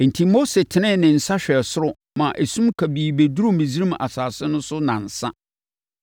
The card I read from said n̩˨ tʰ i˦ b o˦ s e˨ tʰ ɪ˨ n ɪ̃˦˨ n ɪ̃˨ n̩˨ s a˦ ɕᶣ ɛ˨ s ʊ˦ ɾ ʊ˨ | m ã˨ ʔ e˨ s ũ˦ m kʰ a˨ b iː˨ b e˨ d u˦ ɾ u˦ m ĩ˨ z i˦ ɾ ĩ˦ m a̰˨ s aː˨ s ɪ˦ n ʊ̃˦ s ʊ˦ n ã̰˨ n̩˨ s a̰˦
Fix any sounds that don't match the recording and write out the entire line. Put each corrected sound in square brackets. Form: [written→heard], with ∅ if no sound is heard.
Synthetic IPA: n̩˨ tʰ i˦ [b→m] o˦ s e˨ tʰ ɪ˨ n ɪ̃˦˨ n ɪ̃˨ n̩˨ s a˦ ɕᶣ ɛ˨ s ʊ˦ ɾ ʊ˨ | m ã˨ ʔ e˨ s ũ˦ m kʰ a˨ b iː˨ b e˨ d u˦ ɾ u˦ m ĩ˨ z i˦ ɾ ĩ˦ m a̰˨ s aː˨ s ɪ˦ n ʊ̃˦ s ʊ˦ n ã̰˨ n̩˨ s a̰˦

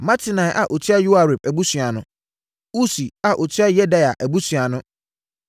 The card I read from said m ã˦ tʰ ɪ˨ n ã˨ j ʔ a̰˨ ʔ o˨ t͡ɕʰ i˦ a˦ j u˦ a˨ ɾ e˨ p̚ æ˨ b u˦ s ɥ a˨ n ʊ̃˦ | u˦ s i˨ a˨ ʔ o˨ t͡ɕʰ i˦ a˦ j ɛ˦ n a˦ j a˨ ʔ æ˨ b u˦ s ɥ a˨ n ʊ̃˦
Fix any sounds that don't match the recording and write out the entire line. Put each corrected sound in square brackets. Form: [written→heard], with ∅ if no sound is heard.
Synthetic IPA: m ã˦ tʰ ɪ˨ n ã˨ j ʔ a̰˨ ʔ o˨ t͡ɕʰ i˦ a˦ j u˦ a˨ ɾ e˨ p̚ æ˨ b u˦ s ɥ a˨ n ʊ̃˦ | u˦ s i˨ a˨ ʔ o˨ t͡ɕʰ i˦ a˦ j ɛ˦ [n→d] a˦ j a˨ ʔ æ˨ b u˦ s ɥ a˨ n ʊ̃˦

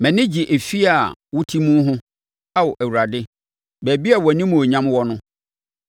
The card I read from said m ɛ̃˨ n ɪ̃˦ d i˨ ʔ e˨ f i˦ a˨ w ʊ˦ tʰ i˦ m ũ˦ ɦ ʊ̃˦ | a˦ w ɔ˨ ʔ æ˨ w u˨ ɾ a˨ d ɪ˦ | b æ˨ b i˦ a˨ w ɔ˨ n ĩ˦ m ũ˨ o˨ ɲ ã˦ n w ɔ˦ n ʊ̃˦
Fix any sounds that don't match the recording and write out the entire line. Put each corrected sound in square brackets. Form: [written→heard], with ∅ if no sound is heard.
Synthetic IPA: m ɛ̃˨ n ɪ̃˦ [d→d͡ʑ] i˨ ʔ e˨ f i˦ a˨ w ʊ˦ tʰ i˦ m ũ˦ ɦ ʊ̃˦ | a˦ w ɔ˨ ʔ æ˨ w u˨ ɾ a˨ d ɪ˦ | b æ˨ b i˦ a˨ w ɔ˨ n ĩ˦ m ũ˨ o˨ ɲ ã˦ [n→m] w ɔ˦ n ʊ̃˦

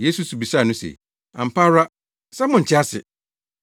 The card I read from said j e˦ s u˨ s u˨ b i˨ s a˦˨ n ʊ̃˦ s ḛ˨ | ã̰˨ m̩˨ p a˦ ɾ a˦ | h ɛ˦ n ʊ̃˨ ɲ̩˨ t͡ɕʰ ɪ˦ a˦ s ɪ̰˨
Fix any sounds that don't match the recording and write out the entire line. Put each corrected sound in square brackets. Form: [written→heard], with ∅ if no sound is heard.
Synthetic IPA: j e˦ s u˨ s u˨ b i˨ s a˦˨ n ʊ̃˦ s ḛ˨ | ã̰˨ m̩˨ p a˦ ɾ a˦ | [h→s] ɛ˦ [n→m] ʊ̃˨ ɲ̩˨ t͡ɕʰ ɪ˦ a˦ s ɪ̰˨

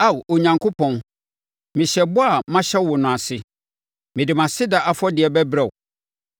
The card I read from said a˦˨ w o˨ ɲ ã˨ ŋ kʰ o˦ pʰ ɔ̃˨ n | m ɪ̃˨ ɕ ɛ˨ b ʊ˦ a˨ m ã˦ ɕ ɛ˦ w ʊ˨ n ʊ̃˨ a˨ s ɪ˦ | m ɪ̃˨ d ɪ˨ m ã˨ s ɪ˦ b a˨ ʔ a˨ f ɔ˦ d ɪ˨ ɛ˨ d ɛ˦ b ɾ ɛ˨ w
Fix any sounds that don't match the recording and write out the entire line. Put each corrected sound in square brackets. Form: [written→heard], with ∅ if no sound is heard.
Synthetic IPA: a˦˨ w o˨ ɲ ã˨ ŋ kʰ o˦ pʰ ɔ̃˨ n | m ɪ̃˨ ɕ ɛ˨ b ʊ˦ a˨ m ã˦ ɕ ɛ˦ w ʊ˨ n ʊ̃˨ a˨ s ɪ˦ | m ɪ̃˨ d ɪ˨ m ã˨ s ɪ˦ [b→d] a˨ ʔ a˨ f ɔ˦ d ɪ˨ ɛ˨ [d→b] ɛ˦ b ɾ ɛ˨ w

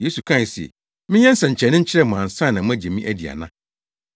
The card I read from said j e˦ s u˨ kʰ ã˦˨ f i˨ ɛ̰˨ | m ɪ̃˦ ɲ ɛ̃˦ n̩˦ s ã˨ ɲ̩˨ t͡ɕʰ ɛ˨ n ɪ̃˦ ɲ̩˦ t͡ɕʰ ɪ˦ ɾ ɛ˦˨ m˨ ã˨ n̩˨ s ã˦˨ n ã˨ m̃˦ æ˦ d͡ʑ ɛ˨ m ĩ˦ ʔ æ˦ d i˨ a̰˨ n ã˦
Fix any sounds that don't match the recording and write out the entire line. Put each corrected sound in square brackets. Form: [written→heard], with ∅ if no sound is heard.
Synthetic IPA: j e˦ s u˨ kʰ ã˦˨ [f→s] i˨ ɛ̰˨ | m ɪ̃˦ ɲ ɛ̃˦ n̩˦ s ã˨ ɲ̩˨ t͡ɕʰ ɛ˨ n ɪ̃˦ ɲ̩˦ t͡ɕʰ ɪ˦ ɾ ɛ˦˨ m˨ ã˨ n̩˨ s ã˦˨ n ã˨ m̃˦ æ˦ d͡ʑ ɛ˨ m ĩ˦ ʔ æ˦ d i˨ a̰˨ n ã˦

